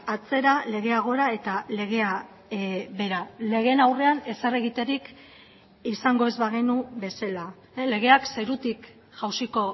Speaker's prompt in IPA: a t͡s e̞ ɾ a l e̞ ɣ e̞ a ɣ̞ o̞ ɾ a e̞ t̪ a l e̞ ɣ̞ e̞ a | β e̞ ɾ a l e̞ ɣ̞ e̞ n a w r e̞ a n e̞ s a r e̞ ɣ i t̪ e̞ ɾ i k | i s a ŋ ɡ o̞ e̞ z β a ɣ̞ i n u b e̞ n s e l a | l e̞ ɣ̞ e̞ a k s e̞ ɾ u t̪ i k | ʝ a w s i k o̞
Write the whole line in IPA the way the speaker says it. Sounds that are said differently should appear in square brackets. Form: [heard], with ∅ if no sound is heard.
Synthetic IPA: a t͡s e̞ ɾ a l e̞ ɣ e̞ a ɣ̞ o̞ ɾ a e̞ t̪ a l e̞ ɣ̞ e̞ a | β e̞ ɾ a l e̞ ɣ̞ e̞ n a w r e̞ a n e̞ s a r e̞ ɣ i t̪ e̞ ɾ i k | i s a ŋ ɡ o̞ e̞ z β a ɣ̞ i n u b e̞ [∅] s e l a | l e̞ ɣ̞ e̞ a k s e̞ ɾ u t̪ i k | ʝ a w s i k o̞